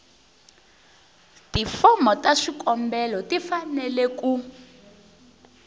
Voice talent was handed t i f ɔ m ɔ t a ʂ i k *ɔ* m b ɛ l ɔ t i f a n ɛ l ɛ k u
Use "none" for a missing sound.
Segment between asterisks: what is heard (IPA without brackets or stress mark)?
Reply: ɔ